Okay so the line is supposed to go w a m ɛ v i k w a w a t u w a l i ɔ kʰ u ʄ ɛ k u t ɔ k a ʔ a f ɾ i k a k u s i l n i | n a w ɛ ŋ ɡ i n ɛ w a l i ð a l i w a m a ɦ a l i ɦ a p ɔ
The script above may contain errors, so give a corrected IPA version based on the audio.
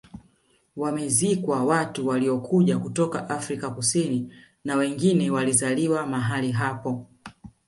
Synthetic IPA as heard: w a m ɛ z i k w a w a t u w a l i ɔ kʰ u ʄ a k u t ɔ k a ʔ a f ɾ i k a k u s i n i | n a w ɛ ŋ ɡ i n ɛ w a l i z a l i w a m a ɦ a l i ɦ a p ɔ